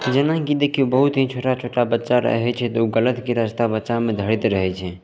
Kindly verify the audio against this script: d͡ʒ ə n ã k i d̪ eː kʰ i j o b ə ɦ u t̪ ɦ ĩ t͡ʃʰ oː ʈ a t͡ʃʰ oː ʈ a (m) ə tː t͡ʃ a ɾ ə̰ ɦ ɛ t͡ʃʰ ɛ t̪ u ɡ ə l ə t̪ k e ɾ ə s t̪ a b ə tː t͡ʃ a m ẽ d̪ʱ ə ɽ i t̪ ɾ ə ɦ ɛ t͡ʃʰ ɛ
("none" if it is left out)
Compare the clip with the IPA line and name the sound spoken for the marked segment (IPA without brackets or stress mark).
b